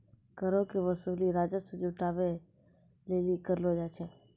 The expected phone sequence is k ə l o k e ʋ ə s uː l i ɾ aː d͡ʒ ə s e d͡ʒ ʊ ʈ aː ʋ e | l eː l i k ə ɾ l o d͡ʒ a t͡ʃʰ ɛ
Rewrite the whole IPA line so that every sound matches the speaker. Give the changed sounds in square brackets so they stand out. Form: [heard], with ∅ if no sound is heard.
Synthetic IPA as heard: k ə [ɾ] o k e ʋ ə s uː l i ɾ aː d͡ʒ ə s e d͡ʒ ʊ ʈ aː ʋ e | l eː l i k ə ɾ l o d͡ʒ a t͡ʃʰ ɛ